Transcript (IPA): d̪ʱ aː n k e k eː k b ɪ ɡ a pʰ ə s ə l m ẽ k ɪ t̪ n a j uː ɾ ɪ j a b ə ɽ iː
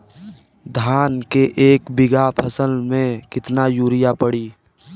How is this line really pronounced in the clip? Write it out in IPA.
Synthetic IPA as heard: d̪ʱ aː n k e ʔ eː k b ɪ ɡ a pʰ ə s ə l m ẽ k ɪ t̪ n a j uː ɾ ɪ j a p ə ɽ iː

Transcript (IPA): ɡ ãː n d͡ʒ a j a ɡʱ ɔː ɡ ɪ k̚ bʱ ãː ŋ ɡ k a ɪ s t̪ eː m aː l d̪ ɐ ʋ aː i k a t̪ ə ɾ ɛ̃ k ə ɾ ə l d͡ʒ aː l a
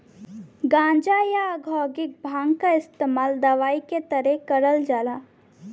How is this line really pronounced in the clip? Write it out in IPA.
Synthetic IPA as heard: ɡ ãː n d͡ʒ a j a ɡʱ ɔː ɡ ɪ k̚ bʱ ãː ŋ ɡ k a ɪ s t̪ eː m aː l d̪ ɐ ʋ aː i k e t̪ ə ɾ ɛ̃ k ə ɾ ə l d͡ʒ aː l a

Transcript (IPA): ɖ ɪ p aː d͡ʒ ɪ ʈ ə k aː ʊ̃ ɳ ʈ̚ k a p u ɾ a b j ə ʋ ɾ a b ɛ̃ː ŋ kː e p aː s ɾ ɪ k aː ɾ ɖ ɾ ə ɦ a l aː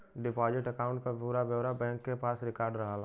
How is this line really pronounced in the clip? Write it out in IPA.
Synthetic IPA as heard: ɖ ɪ p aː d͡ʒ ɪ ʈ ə k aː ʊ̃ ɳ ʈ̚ k a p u ɾ a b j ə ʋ ɾ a b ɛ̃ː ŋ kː e p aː s ɾ ɪ k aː ɾ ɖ ɾ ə ɦ a l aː

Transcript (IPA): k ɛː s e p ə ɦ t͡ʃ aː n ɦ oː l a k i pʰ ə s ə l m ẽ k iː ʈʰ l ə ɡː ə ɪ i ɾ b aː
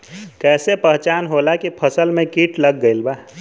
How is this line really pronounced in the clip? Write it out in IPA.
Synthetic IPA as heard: k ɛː s e p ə ɦ t͡ʃ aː n ɦ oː l a k i pʰ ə s ə l m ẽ k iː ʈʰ l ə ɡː ə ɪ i l b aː

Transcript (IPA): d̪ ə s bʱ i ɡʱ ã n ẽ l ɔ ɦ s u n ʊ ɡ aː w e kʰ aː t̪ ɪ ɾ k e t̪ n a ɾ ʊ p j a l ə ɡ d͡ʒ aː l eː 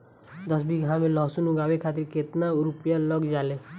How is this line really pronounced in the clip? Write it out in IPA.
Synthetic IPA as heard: d̪ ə s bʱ i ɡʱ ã m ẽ l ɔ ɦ s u n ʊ ɡ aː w e kʰ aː t̪ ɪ ɾ k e t̪ n a ɾ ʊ p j a l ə ɡ d͡ʒ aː l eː

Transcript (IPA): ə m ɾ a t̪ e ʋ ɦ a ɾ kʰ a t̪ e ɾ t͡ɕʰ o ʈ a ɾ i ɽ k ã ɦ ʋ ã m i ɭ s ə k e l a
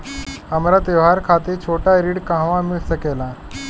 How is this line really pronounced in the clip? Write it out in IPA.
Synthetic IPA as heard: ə m ɾ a t̪ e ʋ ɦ a ɾ kʰ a t̪ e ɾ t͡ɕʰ o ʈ a ɾ i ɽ k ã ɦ ʋ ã m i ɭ s ə k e l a

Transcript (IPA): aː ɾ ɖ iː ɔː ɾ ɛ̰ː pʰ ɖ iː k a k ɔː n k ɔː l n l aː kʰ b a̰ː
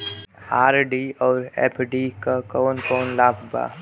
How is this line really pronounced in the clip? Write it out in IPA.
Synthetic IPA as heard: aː ɾ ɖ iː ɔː ɾ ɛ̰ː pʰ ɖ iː k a k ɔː n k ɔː n l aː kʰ b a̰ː

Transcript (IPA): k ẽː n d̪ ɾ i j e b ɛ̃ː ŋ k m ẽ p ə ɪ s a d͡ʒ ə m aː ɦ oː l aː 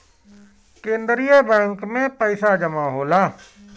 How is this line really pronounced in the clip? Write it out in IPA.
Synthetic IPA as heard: k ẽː n d̪ ɾ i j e b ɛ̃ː ŋ k m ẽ p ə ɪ s a d͡ʒ ə m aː ɦ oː l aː

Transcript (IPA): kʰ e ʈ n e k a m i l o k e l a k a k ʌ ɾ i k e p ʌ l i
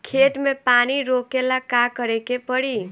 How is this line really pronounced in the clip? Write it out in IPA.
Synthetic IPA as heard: kʰ e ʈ m e p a n i ɾ o k e l a k a k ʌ ɾ e k e p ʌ ɽ i

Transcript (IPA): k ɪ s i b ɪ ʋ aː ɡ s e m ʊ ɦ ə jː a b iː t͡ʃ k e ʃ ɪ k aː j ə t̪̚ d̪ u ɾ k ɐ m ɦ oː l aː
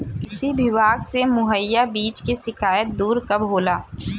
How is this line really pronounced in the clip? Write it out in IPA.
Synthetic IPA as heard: k ɪ s i b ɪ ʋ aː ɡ s e m ʊ ɦ ə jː a b iː t͡ʃ k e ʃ ɪ k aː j ə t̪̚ d̪ uː ɾ k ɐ b ɦ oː l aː

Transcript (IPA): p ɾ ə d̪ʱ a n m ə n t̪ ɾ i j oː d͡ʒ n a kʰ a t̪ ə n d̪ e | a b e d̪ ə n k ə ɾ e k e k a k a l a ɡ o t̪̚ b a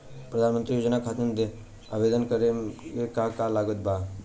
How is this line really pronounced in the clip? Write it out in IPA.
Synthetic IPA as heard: p ɾ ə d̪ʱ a n m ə n t̪ ɾ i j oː d͡ʒ n a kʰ a t̪ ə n d̪ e | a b e d̪ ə n k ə ɾ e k e k a k a l a ɡ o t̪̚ b a

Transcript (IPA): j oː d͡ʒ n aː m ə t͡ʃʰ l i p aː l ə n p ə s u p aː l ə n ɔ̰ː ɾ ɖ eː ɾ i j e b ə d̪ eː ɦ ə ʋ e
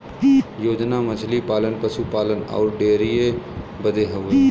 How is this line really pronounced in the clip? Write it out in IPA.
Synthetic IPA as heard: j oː d͡ʒ n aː m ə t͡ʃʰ l i p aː l ə n p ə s u p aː l ə n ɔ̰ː ɾ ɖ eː ɾ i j e b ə d̪ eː ɦ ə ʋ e

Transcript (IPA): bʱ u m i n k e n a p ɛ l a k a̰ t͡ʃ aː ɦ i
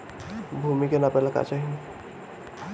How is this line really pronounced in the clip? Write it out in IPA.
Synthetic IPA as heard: bʱ u m i k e n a p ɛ l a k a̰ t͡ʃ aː ɦ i

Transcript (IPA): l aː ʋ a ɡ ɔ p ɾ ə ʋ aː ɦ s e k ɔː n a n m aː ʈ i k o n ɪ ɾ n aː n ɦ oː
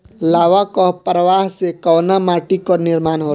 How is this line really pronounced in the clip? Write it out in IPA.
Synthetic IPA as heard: l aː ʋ a k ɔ p ɾ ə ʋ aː ɦ s e k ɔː n a m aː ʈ i k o n ɪ ɾ m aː n ɦ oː

